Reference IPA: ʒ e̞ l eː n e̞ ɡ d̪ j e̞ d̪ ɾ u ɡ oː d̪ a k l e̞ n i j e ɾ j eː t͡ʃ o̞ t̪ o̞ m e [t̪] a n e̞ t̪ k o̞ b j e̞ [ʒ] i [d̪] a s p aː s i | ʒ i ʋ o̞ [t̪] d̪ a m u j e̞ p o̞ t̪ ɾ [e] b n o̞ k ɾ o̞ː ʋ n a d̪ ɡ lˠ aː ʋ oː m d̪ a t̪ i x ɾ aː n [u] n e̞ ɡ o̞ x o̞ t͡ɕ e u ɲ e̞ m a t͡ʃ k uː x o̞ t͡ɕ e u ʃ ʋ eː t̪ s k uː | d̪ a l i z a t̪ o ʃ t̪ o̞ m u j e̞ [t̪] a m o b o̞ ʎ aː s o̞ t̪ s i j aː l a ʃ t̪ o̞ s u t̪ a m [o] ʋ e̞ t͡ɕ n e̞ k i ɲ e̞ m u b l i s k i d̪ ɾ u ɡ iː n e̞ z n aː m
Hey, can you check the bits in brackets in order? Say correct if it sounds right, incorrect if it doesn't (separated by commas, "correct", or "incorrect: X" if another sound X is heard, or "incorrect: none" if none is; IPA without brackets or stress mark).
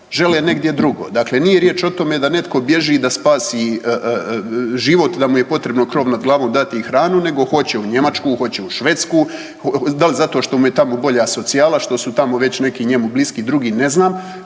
incorrect: d̪, correct, correct, correct, correct, correct, correct, correct